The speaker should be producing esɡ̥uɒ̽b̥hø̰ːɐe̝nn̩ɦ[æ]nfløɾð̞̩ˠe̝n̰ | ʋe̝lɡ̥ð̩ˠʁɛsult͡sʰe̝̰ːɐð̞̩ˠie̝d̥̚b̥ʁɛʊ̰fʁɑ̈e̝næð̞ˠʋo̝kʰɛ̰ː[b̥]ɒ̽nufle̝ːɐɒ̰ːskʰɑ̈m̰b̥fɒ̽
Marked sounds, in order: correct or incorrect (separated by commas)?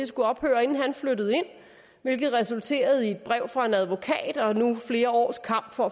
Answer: correct, incorrect